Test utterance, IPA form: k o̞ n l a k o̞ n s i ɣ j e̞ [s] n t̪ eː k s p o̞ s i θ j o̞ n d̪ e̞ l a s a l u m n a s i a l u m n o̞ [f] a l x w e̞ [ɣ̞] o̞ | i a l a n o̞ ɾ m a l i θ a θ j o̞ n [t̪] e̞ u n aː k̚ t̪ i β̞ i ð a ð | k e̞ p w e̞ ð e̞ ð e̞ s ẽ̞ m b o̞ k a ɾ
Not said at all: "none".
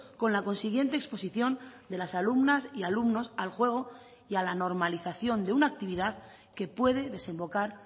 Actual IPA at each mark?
none, s, ɣ̞, d̪

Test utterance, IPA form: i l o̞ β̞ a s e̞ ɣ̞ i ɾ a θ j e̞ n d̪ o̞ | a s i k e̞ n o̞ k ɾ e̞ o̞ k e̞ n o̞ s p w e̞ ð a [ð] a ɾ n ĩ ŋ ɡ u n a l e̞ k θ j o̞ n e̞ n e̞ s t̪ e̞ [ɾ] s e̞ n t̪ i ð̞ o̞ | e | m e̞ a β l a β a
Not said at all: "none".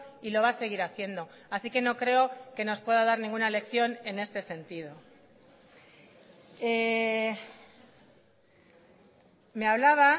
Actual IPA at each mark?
ð, none

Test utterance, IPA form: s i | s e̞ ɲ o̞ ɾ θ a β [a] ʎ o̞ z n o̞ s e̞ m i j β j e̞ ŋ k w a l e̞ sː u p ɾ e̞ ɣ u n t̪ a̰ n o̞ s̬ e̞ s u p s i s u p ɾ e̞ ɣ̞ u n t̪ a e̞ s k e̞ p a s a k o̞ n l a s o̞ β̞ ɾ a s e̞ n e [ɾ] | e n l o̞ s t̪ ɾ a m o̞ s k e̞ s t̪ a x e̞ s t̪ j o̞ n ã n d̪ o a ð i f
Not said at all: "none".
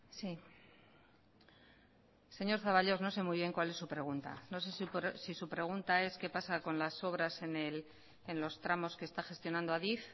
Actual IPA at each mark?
a, l

